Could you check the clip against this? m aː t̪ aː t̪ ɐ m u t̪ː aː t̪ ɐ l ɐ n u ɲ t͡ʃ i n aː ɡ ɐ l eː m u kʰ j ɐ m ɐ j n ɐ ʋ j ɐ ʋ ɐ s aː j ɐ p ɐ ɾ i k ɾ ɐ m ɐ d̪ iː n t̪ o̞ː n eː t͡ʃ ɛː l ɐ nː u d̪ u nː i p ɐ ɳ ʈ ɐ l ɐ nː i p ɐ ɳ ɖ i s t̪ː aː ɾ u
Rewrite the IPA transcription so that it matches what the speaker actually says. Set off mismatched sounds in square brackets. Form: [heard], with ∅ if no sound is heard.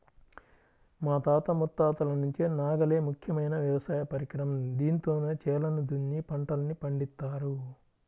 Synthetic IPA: m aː t̪ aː t̪ ɐ m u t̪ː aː t̪ ɐ l ɐ n u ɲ t͡ʃ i n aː ɡ ɐ l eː m u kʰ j ɐ m ɐ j n ɐ ʋ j ɐ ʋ ɐ s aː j ɐ p ɐ ɾ i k ɾ ɐ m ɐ d̪ iː n t̪ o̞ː n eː t͡ʃ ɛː l ɐ [n] u d̪ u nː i p ɐ ɳ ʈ ɐ l ɐ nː i p ɐ ɳ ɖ i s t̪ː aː ɾ u